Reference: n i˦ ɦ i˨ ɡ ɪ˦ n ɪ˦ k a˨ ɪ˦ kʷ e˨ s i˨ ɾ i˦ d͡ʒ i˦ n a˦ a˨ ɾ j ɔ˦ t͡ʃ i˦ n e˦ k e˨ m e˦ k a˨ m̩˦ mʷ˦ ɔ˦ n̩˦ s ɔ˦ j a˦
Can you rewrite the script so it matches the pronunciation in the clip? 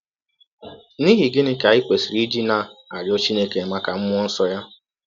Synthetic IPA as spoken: n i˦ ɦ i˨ ɡ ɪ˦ n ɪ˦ k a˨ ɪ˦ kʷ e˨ s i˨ ɾ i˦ d͡ʒ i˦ n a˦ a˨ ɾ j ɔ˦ t͡ʃ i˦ n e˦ k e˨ m a˦ k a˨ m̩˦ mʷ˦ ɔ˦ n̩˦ s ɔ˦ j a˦